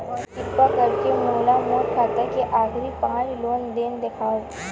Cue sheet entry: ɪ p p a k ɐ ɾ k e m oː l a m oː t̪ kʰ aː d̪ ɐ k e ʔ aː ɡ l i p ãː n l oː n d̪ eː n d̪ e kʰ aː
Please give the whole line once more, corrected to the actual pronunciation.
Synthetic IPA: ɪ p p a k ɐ ɾ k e m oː l a m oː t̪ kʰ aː t̪ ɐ k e ʔ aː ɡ ɾ i p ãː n l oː n d̪ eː n d̪ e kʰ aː